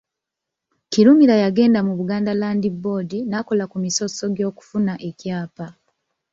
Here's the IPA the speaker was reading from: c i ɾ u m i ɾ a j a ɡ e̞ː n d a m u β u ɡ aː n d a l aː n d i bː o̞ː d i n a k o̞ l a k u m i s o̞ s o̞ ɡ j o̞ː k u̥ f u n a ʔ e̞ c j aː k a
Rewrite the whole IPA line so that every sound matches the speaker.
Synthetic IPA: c i ɾ u m i ɾ a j a ɡ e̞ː n d a m u β u ɡ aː n d a l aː n d i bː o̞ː d i n a k o̞ l a k u m i s o̞ s o̞ ɡ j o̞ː k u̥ f u n a ʔ e̞ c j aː p a